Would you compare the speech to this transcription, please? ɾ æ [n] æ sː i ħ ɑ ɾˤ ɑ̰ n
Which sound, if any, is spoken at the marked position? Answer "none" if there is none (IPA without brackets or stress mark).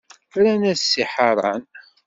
n